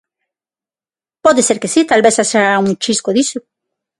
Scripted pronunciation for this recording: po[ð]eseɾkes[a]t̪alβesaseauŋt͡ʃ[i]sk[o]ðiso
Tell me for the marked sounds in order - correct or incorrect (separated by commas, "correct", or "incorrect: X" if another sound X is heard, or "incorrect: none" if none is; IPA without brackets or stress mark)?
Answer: correct, incorrect: i, correct, correct